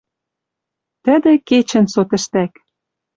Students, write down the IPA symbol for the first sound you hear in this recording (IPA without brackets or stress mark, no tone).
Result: t̪